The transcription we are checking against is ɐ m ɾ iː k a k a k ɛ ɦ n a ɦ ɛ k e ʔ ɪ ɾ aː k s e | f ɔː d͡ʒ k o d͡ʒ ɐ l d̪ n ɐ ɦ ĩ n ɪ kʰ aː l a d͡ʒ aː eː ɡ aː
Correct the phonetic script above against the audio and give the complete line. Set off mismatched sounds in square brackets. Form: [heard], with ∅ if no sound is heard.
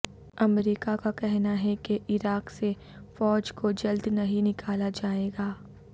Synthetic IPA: ɐ m ɾ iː k a k a k ɛ ɦ n a ɦ ɛ k e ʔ ɪ ɾ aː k s e | f ɔː d͡ʒ k o d͡ʒ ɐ l d̪ n ɐ ɦ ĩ n ɪ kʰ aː l a d͡ʒ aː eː ɡ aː